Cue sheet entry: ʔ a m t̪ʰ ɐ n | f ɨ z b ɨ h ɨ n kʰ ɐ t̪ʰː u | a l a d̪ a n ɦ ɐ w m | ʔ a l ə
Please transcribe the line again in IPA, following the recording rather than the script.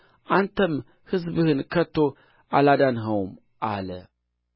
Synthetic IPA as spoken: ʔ a n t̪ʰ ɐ m | h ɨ z b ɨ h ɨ n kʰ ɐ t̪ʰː o | a l a d̪ a n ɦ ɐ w m | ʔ a l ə

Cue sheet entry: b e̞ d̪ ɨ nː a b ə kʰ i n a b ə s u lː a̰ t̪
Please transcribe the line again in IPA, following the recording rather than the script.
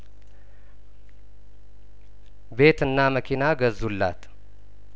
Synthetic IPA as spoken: b e̞ t̪ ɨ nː a m ə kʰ i n a ɡ ə z u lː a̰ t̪

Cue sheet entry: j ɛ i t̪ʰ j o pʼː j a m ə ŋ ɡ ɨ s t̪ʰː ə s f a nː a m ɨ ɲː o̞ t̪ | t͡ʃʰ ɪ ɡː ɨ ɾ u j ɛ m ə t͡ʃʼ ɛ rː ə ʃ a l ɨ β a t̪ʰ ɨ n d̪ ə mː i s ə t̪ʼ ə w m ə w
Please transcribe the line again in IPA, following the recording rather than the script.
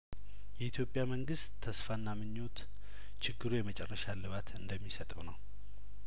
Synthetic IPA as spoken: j ɛ i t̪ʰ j o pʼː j a m ə ŋ ɡ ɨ s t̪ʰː ə s f a nː a m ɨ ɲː o̞ t̪ | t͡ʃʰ ɪ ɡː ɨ ɾ u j ɛ m ə t͡ʃʼ ɛ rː ə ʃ a l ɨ β a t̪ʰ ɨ n d̪ ə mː i s ə t̪ʼ ə w n ə w

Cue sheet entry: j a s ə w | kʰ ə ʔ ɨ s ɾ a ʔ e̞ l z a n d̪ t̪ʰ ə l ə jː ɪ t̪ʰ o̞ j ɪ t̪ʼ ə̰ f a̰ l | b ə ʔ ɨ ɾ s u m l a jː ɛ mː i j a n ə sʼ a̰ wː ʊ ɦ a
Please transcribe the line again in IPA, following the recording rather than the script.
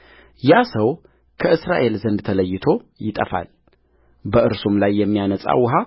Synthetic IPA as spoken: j a s ə w | kʰ ə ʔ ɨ s ɾ a ʔ e̞ l z ə n d̪ t̪ʰ ə l ə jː ɪ t̪ʰ o̞ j ɪ t̪ʼ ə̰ f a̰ l | b ə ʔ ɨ ɾ s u m l a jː ɛ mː i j a n ə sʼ a̰ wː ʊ ɦ a

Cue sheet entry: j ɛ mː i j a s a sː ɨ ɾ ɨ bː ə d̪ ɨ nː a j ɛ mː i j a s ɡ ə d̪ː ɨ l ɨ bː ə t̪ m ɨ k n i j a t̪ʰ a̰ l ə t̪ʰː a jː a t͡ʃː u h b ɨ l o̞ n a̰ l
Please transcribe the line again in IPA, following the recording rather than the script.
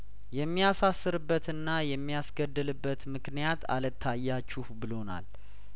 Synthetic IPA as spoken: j ɛ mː i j a s a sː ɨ ɾ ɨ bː ə t̪ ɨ nː a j ɛ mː i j a s ɡ ə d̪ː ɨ l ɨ bː ə t̪ m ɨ k n i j a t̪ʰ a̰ l ə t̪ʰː a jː a t͡ʃː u h b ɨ l o̞ n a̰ l

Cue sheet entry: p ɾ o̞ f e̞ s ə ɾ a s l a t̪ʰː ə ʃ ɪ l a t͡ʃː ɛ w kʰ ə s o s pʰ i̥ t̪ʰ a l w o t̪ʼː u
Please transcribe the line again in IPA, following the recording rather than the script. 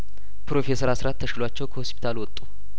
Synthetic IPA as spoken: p ɾ o̞ f e̞ s ə ɾ a s ɾ a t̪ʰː ə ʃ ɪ l a t͡ʃː ɛ w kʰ ə h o s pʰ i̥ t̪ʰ a l w ɔ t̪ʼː u

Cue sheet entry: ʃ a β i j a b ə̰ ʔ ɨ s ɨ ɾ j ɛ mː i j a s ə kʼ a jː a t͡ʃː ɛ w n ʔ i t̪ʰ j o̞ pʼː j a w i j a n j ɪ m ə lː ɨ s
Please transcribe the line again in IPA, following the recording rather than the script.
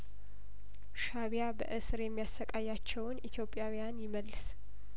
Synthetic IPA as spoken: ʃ a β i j a b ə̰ ʔ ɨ s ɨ ɾ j ɛ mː i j a s ə kʼ a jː a t͡ʃː ɛ w n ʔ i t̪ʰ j o̞ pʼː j a w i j a n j ɪ m ə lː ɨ s

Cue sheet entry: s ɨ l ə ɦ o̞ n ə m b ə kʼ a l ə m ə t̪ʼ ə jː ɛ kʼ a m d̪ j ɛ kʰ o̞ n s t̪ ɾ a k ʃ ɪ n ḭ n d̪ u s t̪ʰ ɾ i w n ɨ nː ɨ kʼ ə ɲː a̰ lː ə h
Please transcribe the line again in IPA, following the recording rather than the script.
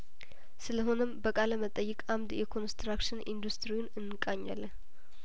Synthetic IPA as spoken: s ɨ l ə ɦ o̞ n ə m b ə kʼ a l ə m ə t̪ʼ ə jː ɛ kʼ a m d̪ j ɛ kʰ o̞ n s t̪ ɾ a k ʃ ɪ n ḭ n d̪ u s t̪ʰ ɾ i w n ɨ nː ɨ kʼ a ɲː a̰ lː ə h

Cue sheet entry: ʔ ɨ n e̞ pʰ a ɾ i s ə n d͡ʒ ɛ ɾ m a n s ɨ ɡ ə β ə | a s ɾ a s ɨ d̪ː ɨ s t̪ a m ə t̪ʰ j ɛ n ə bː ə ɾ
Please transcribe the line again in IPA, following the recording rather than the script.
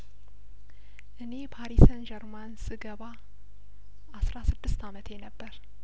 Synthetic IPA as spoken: ʔ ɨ n e̞ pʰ a ɾ i s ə n d͡ʒ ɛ ɾ m a n s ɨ ɡ ə β a | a s ɾ a s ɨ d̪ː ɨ s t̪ a m ə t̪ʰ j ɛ n ə bː ə ɾ

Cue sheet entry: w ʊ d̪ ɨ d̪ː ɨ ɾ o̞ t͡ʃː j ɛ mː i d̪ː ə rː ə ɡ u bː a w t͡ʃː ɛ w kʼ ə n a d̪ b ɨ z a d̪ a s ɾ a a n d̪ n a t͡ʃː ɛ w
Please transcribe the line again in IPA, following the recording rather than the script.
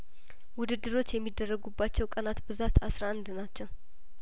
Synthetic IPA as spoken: w ʊ d̪ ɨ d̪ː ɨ ɾ o̞ t͡ʃː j ɛ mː i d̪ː ə rː ə ɡ u bː a t͡ʃː ɛ w kʼ ə n a t̪ b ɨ z a t̪ a s ɾ a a n d̪ n a t͡ʃː ɛ w

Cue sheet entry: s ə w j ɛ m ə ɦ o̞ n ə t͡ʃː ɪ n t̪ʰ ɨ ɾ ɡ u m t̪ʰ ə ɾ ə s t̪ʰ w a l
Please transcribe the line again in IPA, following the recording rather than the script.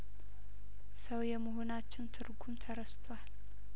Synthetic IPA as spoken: s ə w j ɛ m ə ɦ o̞ n a t͡ʃː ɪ n t̪ʰ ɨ ɾ ɡ u m t̪ʰ ə ɾ ə s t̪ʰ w a l

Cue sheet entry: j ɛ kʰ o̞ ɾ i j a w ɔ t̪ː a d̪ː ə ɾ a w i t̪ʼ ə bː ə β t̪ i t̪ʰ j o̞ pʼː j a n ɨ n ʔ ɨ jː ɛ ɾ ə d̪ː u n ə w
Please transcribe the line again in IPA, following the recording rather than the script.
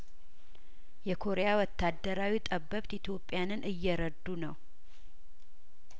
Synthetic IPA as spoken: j ɛ kʰ o̞ ɾ e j a w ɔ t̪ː a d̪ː ə ɾ a w i t̪ʼ ə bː ə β t̪ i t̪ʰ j o̞ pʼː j a n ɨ n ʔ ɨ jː ɛ ɾ ə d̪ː u n ə w

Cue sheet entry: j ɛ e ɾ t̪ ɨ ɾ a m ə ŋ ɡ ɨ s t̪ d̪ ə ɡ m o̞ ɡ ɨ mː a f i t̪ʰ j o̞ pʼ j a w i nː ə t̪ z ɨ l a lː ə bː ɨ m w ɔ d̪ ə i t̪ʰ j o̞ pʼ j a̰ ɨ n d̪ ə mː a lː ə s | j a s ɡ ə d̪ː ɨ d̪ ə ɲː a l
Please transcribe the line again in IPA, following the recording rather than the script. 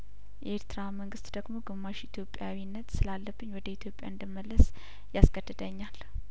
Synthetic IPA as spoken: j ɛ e ɾ t̪ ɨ ɾ a m ə ŋ ɡ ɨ s t̪ d̪ ə ɡ m o̞ ɡ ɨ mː a ʃ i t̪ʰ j o̞ pʼ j a w i nː ə t̪ s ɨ l a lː ə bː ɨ ɲ w ɔ d̪ ə i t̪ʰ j o̞ pʼ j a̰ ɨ n d̪ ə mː ə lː ə s | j a s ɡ ə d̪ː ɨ d̪ ə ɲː a l

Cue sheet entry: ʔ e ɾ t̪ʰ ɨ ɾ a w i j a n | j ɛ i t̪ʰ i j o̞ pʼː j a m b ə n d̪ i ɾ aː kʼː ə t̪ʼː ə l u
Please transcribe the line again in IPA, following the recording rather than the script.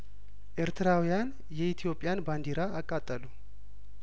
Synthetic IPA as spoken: ʔ e ɾ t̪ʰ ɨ ɾ a w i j a n | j ɛ i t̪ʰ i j o̞ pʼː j a n b a n d̪ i ɾ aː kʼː a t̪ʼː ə l u

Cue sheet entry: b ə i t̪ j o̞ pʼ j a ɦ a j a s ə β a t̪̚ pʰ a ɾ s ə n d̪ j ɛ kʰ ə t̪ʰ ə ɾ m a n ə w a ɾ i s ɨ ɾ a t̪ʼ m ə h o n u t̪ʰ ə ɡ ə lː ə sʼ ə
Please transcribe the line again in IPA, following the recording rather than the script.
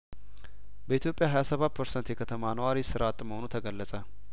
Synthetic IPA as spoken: b ə i t̪ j o̞ pʼ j a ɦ a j a s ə β a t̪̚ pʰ ə ɾ s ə n t̪ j ɛ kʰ ə t̪ʰ ə m a n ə w a ɾ i s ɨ ɾ a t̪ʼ m ə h o n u t̪ʰ ə ɡ ə lː ə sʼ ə

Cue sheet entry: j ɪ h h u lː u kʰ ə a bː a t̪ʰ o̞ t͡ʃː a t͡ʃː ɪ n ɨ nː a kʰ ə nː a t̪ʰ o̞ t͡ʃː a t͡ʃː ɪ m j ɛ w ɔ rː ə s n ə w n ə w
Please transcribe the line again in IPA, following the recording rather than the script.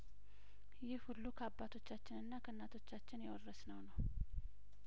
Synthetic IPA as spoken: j ɪ h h u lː u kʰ ə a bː a t̪ʰ o̞ t͡ʃː a t͡ʃː ɪ n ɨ nː a kʰ ə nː a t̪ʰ o̞ t͡ʃː a t͡ʃː ɪ n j ɛ w ɔ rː ə s n ə w n ə w

